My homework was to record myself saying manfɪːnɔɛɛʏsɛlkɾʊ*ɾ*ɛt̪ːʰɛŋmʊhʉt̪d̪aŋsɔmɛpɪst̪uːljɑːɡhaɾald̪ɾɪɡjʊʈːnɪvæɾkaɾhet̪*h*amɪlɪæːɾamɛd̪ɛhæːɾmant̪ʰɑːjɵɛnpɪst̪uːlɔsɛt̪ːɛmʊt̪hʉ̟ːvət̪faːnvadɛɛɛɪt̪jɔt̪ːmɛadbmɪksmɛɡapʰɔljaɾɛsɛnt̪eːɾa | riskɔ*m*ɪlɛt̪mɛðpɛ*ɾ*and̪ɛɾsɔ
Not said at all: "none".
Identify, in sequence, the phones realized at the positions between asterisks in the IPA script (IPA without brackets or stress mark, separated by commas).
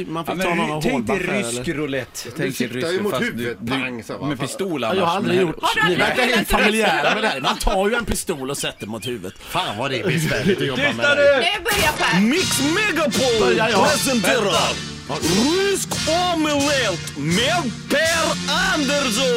l, f, m, ɾ